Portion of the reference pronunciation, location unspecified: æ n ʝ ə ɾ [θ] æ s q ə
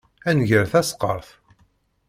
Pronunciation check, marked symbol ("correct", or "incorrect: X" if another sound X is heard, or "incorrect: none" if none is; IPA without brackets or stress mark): correct